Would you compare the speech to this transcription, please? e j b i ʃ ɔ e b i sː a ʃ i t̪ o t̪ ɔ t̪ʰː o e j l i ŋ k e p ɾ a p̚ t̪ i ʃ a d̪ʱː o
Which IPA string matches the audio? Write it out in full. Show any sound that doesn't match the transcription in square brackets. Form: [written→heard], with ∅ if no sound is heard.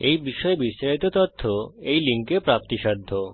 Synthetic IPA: e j b i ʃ ɔ e b i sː a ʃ i t̪ o t̪ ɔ t̪ʰː o e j l i ŋ k e p ɾ a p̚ t̪ i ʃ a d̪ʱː o